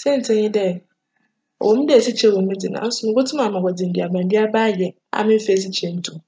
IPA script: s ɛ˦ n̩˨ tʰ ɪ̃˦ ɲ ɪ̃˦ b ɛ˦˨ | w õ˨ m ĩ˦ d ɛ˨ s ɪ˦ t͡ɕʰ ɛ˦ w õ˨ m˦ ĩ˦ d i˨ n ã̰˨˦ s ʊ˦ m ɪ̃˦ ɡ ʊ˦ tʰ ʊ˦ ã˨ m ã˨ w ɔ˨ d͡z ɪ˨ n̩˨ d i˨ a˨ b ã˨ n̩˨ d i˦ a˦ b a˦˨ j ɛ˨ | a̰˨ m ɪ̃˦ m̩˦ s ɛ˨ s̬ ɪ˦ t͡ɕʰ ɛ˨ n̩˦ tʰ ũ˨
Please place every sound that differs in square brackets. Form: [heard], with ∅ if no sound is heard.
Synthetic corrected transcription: s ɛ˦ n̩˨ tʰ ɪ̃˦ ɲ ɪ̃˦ [d] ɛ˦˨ | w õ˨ m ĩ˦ d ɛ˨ s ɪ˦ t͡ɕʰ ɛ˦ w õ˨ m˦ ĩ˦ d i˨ n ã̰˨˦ s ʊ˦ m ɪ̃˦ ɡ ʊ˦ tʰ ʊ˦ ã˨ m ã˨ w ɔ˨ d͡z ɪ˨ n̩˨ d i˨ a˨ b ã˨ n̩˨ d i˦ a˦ b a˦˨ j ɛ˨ | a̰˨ m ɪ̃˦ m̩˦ [f] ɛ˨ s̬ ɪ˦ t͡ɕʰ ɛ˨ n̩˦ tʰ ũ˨